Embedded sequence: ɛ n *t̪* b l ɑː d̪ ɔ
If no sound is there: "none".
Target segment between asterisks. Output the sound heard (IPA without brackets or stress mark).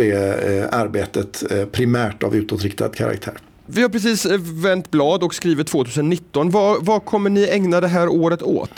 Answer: t̪